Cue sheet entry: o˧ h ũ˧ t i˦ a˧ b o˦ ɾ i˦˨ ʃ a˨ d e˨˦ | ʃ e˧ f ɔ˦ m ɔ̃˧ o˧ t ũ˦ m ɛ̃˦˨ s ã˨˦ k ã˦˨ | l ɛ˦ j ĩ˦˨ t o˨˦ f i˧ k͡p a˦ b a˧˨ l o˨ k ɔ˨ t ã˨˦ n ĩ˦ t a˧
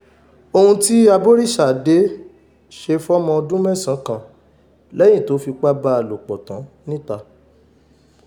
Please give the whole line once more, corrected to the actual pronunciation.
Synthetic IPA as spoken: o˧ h ũ˧ t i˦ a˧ b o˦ ɾ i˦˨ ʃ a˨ d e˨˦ | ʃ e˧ f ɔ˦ m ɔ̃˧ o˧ d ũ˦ m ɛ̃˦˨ s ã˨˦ k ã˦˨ | l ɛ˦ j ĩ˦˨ t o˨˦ f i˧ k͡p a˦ b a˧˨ l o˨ k͡p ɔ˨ t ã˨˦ n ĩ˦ t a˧